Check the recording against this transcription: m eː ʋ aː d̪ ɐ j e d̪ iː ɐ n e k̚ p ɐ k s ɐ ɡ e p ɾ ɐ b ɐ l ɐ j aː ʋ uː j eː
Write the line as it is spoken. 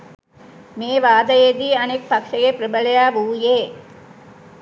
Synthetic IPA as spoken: m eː ʋ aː d̪ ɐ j e d̪ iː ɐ n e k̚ p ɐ k ʂ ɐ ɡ e p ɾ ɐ b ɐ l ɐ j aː ʋ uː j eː